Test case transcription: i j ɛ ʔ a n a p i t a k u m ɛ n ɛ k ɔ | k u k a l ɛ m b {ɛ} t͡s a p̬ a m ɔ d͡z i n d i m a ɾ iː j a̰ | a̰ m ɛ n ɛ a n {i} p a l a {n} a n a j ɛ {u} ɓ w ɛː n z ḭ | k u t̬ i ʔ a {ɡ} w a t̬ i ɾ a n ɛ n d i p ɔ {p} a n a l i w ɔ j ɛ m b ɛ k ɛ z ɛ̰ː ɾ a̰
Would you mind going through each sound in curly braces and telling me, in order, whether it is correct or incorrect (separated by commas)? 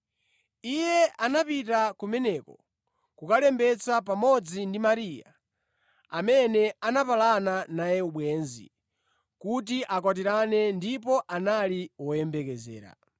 correct, incorrect, correct, correct, incorrect, incorrect